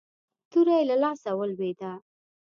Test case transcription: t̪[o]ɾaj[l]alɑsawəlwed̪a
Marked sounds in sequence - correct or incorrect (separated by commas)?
incorrect, correct